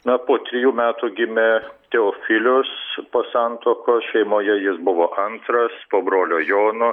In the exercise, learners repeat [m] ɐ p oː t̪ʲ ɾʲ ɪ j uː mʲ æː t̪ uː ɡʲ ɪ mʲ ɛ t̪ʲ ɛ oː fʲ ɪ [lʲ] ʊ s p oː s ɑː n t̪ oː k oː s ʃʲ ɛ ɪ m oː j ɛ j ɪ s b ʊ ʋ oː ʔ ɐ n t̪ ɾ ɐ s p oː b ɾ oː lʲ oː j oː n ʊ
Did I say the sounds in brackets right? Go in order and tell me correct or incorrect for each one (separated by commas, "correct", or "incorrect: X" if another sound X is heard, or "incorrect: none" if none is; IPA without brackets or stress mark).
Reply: incorrect: n, correct